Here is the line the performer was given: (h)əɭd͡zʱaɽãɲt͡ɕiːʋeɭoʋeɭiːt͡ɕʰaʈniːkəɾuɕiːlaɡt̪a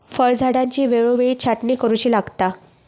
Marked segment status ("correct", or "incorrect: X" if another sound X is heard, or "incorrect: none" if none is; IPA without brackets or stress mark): incorrect: f